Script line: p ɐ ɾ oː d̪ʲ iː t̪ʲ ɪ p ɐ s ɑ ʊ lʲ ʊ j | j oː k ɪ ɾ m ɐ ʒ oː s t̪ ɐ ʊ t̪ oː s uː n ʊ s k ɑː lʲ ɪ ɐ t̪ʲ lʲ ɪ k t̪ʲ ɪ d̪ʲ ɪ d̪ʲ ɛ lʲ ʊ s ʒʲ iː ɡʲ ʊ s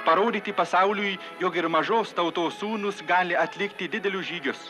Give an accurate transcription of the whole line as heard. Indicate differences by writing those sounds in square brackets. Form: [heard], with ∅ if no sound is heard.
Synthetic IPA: p ɐ ɾ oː d̪ʲ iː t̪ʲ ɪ p ɐ s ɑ ʊ lʲ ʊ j | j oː k ɪ ɾ m ɐ ʒ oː s t̪ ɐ ʊ t̪ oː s uː n ʊ s [ɡ] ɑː lʲ ɪ ɐ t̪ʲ lʲ ɪ k t̪ʲ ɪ d̪ʲ ɪ d̪ʲ ɛ lʲ ʊ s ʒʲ iː ɡʲ ʊ s